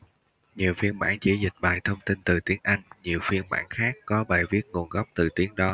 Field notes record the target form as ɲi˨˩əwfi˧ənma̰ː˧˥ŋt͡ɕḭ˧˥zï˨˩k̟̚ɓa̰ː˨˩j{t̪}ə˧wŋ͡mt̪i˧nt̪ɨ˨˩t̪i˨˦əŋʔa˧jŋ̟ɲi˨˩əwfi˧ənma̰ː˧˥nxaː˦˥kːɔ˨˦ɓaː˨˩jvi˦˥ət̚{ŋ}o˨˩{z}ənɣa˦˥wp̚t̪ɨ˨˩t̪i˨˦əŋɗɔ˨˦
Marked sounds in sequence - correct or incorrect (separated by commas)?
incorrect, correct, incorrect